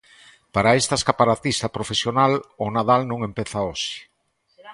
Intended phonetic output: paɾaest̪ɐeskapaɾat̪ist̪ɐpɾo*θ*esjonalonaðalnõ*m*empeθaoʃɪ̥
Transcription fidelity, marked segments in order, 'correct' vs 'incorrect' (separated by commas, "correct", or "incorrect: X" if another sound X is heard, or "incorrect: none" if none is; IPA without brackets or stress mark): incorrect: f, incorrect: ŋ